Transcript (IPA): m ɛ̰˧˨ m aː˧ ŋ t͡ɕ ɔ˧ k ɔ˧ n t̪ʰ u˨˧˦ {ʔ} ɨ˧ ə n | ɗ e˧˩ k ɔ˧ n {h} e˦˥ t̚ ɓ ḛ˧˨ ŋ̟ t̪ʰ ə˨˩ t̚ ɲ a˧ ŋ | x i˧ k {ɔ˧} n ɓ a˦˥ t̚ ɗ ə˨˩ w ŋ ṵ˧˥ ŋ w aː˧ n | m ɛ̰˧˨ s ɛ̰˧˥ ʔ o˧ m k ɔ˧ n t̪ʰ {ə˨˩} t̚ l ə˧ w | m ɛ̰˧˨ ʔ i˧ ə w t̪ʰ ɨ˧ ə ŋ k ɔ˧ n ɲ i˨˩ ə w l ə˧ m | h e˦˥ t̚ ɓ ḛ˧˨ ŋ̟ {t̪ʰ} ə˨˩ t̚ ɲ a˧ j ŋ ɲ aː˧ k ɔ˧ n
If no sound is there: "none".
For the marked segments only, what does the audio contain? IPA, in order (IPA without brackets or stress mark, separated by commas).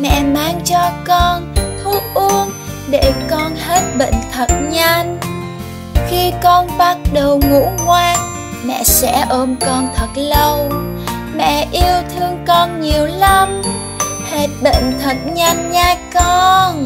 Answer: ʔ, h, ɔ˧, ə˨˩, t̪ʰ